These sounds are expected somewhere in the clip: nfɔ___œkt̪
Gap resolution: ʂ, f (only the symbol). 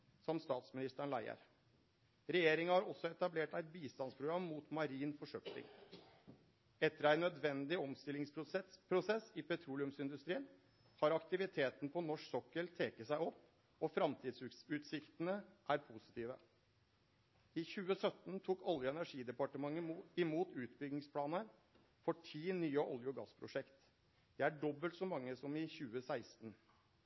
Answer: ʂ